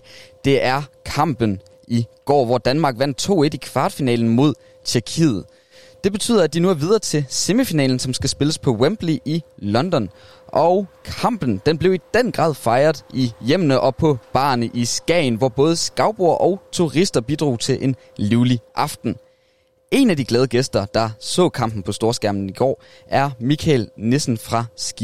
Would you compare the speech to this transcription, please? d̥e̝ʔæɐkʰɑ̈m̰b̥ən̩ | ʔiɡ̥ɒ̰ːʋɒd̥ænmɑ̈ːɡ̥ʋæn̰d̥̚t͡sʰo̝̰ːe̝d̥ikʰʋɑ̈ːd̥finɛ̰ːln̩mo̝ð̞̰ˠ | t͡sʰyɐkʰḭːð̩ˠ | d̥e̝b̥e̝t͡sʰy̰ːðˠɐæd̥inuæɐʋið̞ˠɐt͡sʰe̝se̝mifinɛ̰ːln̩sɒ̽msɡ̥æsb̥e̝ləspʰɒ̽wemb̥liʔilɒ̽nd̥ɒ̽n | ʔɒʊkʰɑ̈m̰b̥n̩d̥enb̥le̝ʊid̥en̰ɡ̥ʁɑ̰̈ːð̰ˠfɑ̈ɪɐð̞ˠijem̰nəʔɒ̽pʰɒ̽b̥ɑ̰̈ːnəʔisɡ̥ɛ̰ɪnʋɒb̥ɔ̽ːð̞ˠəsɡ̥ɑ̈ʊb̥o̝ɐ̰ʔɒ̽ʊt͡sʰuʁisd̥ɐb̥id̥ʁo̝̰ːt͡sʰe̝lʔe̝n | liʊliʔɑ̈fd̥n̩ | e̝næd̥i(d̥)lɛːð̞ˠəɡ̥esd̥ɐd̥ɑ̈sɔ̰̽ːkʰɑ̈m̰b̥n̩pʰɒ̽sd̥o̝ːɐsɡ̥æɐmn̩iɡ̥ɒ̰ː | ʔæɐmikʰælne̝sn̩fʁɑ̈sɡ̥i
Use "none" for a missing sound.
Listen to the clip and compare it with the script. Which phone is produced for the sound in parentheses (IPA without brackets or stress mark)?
ɡ̥